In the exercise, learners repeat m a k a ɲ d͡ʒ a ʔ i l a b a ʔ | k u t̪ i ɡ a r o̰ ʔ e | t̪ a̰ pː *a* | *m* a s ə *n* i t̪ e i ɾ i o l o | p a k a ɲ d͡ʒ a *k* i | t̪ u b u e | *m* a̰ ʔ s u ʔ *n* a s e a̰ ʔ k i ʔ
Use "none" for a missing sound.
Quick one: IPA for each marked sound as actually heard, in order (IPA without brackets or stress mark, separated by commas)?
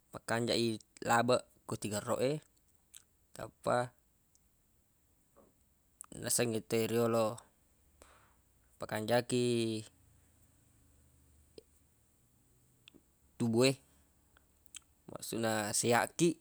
a, n, ŋ, k, m, n